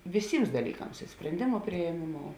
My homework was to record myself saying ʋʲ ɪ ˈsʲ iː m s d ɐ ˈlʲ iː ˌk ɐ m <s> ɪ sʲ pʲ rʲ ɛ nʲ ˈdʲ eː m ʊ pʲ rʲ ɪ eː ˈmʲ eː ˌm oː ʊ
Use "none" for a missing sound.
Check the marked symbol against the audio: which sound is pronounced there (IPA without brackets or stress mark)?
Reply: s